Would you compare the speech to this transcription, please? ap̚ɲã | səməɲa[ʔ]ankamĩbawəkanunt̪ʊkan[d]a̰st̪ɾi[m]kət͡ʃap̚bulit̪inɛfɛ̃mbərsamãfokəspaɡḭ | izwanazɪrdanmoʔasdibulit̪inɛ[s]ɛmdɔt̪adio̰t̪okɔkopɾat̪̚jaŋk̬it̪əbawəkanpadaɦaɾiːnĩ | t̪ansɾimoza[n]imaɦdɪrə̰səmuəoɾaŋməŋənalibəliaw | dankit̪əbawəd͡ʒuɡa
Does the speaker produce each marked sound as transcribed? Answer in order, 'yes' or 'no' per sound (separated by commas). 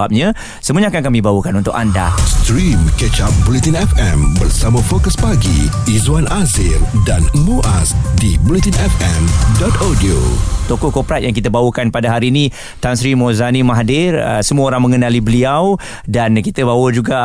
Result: no, yes, yes, no, yes